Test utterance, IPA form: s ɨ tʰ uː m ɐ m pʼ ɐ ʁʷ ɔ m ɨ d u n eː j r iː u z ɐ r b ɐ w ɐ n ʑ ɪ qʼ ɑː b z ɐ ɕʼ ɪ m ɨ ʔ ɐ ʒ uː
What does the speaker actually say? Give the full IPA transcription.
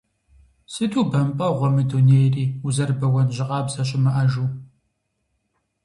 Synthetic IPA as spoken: s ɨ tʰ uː b ɐ m pʼ ɐ ʁʷ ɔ m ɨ d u n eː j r iː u z ɐ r b ɐ w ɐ n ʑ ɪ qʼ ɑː b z ɐ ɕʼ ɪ m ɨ ʔ ɐ ʒ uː